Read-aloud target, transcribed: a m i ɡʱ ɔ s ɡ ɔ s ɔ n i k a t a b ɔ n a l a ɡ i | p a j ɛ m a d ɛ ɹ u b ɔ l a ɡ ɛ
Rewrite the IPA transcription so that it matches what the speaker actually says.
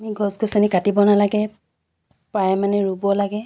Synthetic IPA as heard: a m i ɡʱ ɔ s ɡ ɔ s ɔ n i k a t i b ɔ n a l a ɡ ɛ | p a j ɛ m a n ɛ ɹ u b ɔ l a ɡ ɛ